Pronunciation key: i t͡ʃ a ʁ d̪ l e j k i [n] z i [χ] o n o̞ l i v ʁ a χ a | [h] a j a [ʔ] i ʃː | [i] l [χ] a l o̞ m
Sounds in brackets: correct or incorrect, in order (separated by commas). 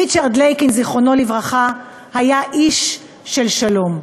correct, correct, correct, correct, incorrect, incorrect